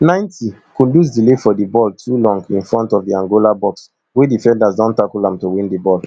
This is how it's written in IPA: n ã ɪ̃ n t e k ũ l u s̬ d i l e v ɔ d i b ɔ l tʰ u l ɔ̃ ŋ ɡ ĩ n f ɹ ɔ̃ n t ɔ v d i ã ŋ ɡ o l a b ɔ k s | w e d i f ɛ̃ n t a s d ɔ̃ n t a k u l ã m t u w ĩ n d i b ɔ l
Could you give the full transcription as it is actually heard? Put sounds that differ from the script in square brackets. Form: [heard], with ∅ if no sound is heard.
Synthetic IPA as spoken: n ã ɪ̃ n t [i] k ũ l u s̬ d i l e [f] ɔ d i b ɔ l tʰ u l ɔ̃ ŋ ɡ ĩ n f ɹ ɔ̃ n t ɔ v d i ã ŋ ɡ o l a b ɔ k s | w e d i f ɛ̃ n [d] a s d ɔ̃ n t a k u l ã m t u w ĩ n d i b ɔ l